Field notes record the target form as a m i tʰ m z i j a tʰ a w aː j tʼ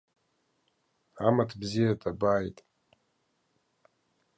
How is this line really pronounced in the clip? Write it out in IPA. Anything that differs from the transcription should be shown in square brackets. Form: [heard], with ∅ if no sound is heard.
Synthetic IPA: a m [a] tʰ [b] z i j a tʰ a [b] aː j tʼ